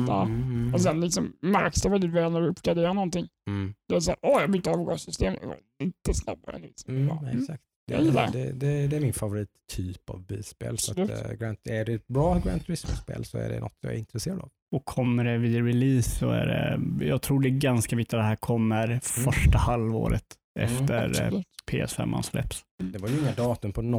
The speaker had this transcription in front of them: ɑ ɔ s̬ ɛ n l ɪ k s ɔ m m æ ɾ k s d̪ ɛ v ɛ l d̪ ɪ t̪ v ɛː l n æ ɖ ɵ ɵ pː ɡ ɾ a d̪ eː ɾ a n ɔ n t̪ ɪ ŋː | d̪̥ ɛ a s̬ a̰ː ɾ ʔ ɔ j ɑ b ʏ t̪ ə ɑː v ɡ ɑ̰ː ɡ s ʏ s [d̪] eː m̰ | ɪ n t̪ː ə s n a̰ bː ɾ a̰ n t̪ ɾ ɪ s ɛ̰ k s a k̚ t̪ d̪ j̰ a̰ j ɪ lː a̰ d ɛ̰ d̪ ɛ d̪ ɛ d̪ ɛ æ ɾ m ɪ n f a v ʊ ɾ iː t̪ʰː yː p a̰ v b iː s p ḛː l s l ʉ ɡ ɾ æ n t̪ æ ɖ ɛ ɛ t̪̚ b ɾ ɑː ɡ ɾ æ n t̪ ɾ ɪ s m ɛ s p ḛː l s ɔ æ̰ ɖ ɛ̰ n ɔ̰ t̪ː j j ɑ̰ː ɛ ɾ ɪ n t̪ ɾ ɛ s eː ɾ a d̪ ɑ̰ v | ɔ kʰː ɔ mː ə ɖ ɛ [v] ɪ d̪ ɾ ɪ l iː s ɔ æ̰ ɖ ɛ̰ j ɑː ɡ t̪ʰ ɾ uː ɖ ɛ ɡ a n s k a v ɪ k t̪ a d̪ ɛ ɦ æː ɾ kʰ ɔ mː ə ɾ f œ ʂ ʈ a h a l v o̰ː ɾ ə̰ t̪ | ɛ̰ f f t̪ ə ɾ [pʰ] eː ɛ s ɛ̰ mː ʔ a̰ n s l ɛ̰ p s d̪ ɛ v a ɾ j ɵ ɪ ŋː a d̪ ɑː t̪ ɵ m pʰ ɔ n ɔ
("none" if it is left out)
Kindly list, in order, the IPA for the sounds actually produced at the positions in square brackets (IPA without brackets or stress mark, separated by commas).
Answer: t̪, v, pʰ